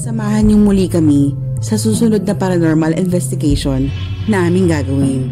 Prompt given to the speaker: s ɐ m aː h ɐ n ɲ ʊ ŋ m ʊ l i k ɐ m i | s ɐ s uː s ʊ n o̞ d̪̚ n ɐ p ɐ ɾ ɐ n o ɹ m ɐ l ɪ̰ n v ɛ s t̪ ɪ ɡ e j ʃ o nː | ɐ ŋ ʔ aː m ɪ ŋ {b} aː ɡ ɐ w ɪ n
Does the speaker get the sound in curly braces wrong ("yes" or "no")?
yes